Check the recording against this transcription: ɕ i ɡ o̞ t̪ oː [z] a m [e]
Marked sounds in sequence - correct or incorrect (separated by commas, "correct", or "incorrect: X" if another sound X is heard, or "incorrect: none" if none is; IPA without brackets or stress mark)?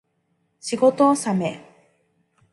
incorrect: s, correct